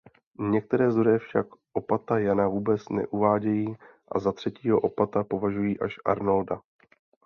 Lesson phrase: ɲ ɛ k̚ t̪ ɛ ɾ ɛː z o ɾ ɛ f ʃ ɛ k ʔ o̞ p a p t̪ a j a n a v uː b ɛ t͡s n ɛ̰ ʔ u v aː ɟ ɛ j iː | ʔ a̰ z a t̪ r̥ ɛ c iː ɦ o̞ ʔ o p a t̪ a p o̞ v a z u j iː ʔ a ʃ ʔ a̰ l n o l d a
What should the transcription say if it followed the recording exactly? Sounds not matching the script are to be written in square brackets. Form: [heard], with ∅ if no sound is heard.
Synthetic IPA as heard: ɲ ɛ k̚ t̪ ɛ ɾ ɛː z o ɾ ɛ f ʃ [a] k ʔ o̞ p a [∅] t̪ a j a n a v uː b ɛ t͡s n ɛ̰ ʔ u v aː ɟ ɛ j iː | ʔ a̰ z a t̪ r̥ ɛ c iː ɦ o̞ ʔ o p a t̪ a p o̞ v a [ʒ] u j iː ʔ a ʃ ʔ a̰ [ɾ] n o l d a